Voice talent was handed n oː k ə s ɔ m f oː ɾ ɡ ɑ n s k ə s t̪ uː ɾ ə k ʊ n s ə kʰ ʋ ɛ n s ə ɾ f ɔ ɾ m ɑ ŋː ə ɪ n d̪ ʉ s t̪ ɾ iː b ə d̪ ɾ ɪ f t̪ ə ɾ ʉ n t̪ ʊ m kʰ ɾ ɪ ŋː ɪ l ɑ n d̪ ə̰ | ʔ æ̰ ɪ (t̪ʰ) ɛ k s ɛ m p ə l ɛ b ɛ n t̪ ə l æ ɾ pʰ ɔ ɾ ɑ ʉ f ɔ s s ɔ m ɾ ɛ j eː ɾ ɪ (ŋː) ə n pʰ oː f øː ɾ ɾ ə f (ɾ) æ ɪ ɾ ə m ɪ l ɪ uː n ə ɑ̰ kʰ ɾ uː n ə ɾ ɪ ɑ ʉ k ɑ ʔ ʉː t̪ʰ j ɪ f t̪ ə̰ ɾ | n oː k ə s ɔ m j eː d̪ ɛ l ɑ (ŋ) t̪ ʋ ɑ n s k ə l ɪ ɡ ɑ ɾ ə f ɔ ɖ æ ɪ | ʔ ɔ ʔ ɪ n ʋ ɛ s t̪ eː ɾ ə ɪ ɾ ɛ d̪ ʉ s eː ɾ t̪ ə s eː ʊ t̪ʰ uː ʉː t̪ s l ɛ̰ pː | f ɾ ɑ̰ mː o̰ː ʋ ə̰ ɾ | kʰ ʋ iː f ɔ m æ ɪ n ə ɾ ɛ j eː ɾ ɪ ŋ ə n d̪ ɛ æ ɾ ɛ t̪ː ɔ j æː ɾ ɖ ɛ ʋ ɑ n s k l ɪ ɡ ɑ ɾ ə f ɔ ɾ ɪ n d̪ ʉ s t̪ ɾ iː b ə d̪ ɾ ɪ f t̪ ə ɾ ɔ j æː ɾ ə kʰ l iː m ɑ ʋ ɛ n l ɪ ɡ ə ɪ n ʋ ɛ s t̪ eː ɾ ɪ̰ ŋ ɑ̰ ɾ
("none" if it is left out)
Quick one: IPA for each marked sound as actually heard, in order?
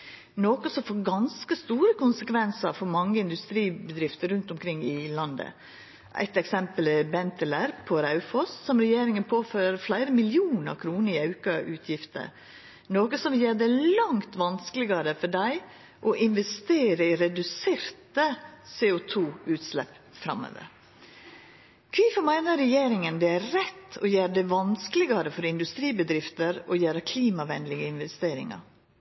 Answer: t̪, ŋ, l, ŋ

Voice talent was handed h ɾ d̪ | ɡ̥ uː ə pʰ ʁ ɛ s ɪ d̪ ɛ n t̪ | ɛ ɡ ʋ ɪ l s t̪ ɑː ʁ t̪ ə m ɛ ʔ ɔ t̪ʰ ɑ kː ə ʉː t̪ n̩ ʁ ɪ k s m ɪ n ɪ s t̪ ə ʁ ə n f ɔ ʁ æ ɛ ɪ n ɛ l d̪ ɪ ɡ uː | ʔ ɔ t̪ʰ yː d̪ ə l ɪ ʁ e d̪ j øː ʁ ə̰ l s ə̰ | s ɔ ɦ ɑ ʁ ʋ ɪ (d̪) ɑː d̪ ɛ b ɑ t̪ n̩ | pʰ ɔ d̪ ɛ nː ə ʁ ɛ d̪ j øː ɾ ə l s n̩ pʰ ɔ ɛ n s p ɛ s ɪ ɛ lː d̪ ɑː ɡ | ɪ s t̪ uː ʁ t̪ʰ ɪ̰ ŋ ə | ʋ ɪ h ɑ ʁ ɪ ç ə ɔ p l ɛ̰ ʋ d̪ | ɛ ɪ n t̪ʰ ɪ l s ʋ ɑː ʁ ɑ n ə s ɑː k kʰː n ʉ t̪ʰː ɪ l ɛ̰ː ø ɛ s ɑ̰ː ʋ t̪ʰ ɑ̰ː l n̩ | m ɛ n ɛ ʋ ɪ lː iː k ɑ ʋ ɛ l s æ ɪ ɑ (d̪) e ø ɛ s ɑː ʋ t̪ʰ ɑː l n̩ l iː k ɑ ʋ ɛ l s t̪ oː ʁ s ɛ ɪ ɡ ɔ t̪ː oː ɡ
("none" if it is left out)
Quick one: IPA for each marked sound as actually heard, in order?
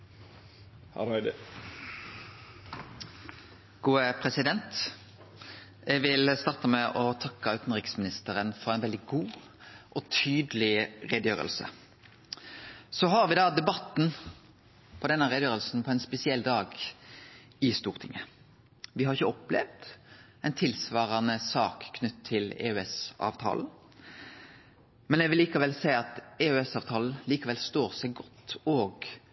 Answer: d̪, t̪

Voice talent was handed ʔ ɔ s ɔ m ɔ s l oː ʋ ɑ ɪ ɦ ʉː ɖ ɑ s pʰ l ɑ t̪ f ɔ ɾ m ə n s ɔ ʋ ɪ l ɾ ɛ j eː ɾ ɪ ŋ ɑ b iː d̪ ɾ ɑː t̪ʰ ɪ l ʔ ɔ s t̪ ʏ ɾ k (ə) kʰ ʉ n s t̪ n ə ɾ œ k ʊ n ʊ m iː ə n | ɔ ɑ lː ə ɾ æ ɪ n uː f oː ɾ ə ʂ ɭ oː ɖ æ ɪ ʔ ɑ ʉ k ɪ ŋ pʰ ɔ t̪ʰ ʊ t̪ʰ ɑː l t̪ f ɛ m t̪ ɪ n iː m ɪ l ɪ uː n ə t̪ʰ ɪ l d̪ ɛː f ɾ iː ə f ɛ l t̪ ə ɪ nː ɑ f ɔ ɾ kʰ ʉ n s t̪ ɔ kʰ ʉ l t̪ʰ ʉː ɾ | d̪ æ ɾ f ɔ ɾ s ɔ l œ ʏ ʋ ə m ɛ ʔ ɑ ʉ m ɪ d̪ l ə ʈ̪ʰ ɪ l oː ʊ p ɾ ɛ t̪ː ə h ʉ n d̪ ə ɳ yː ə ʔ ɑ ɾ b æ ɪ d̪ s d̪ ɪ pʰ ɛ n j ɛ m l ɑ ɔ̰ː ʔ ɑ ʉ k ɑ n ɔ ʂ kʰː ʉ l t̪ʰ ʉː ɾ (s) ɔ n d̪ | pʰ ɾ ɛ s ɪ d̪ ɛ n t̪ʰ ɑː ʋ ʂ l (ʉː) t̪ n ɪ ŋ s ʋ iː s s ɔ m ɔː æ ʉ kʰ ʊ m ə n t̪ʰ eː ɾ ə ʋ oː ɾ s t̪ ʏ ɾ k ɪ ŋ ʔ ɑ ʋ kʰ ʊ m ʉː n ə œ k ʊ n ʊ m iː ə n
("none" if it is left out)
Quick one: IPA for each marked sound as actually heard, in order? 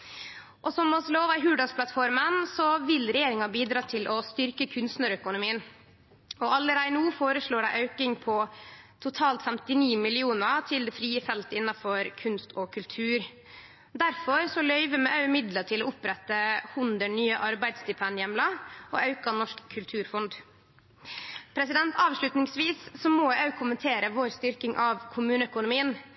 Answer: ə, f, ʉ

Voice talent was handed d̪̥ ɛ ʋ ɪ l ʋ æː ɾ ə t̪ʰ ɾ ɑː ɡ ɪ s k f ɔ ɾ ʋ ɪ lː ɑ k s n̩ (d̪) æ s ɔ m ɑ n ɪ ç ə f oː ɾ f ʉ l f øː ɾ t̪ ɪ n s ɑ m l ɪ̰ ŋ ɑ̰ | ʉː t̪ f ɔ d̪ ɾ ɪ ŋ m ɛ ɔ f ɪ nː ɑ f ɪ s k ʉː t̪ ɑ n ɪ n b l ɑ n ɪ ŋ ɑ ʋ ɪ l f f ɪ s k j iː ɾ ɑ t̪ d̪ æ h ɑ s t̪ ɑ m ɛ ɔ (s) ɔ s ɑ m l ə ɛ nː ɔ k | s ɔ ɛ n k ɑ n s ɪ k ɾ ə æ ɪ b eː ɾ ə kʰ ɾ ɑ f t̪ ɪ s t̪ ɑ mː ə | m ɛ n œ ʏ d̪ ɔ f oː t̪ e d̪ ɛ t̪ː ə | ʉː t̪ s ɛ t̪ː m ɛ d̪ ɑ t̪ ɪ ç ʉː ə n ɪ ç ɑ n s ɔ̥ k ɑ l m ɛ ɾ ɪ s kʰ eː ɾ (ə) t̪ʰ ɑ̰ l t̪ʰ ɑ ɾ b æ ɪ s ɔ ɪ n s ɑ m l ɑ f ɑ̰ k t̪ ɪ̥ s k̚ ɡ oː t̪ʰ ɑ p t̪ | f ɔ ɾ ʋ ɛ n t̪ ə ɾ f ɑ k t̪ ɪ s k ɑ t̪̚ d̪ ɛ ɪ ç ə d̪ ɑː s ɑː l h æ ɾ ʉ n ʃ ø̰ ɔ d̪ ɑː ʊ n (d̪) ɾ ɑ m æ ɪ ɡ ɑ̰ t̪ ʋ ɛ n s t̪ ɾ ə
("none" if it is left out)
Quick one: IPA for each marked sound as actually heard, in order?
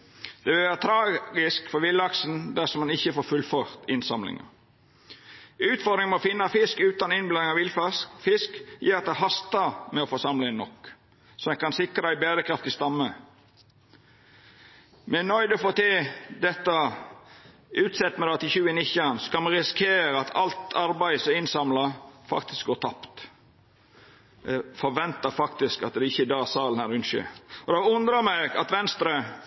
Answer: d̪, f, ɑ, d̪

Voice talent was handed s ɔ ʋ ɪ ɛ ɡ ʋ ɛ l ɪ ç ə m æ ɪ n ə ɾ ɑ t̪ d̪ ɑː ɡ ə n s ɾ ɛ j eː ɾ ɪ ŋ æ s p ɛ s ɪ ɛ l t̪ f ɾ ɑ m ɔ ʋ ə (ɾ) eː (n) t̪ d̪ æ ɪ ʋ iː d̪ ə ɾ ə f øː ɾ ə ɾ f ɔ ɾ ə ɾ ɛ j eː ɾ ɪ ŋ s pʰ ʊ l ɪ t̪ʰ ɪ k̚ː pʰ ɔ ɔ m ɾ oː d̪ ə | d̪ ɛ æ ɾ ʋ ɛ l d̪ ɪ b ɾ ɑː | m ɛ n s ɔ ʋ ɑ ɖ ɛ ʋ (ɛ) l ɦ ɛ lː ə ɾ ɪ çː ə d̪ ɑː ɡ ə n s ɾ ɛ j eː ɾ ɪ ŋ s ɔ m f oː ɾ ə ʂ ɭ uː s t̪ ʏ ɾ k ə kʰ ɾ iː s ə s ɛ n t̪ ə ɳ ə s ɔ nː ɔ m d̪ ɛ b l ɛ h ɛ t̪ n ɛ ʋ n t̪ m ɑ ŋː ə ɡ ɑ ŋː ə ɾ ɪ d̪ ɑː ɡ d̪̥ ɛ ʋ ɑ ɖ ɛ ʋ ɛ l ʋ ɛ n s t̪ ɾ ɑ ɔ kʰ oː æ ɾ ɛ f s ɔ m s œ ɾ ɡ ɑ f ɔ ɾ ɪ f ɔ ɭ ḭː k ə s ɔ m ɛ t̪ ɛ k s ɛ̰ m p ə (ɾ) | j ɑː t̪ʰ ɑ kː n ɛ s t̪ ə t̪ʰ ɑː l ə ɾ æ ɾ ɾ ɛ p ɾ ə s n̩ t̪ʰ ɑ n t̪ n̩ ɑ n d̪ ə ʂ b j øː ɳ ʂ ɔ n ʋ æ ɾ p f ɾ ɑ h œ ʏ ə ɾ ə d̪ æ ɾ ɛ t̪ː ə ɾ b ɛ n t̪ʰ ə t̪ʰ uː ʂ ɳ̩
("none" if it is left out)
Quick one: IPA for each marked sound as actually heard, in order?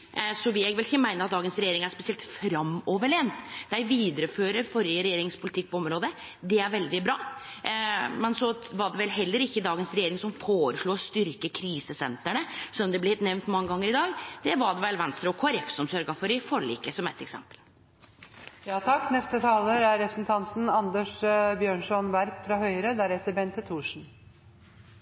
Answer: ɭ, n, ɛ, l

